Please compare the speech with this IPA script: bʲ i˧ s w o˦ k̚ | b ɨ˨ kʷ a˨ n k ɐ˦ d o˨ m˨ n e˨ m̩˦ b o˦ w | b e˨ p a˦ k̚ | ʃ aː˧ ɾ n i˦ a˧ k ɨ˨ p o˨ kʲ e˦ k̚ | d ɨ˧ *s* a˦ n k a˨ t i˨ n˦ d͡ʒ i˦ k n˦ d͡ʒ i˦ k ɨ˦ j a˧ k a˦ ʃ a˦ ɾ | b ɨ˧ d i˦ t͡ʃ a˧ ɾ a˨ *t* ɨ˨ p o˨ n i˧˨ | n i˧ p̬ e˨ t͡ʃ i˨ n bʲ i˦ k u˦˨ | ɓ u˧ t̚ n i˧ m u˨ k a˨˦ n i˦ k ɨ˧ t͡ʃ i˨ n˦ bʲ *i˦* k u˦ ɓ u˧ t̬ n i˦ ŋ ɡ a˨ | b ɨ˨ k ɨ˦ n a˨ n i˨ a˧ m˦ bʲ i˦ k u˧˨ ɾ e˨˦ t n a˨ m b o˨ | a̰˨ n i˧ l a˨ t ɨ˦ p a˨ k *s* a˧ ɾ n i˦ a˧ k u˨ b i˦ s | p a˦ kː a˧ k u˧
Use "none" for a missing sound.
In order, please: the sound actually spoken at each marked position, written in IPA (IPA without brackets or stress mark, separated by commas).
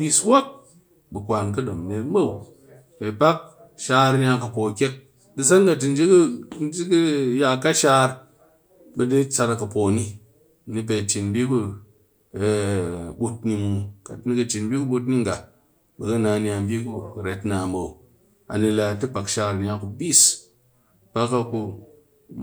s, k, i˦, ʃ